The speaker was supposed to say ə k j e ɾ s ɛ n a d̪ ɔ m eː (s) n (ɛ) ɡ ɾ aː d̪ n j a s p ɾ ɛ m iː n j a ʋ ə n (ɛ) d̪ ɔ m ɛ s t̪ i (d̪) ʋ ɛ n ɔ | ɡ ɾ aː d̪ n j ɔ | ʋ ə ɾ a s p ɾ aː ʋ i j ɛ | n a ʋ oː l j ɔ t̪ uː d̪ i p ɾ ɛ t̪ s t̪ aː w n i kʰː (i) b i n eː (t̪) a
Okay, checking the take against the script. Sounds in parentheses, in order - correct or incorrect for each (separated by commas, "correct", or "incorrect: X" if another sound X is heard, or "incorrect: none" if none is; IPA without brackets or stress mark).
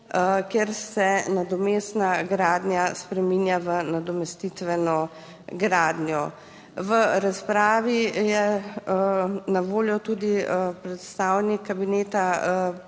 correct, incorrect: a, incorrect: a, incorrect: t̪, incorrect: a, correct